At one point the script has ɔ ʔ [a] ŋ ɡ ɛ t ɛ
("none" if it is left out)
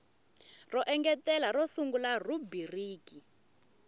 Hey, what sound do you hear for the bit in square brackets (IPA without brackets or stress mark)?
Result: ɛ